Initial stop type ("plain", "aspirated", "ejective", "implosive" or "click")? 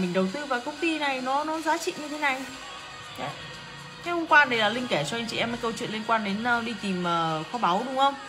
implosive